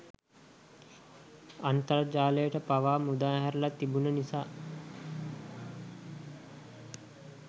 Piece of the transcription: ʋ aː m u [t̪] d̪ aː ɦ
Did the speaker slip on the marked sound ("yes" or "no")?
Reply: yes